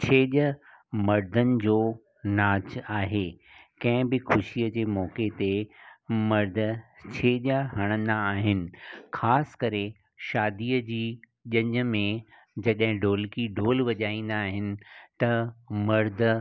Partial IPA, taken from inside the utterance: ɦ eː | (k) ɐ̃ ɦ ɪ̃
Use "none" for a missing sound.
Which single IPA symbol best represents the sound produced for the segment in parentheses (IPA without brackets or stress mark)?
k